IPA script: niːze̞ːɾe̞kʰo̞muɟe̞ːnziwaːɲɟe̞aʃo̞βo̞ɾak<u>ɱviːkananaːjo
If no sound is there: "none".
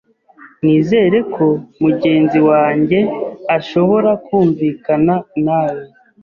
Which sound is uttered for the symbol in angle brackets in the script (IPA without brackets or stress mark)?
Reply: uː